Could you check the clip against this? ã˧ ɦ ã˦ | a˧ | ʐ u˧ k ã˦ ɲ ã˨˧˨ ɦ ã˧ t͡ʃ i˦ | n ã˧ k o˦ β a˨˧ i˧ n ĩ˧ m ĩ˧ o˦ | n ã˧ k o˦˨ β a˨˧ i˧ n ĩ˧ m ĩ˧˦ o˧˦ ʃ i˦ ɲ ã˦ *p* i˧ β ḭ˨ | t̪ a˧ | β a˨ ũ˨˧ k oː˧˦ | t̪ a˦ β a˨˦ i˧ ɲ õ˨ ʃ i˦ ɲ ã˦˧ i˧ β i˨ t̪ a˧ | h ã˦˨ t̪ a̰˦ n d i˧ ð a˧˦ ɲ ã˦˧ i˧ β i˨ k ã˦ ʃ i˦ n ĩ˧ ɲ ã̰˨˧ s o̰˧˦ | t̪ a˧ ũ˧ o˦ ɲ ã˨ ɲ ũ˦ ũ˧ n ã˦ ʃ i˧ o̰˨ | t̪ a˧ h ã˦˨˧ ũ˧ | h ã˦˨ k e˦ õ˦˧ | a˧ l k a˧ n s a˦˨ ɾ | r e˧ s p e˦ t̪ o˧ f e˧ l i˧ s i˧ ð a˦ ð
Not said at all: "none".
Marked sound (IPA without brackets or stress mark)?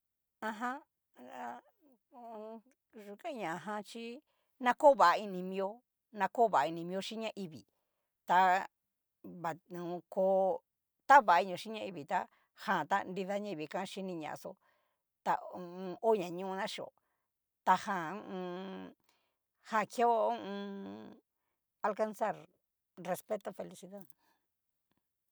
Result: ʔ